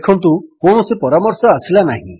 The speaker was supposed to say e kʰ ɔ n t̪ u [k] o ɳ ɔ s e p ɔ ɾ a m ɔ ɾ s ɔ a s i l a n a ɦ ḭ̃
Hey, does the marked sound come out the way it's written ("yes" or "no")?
yes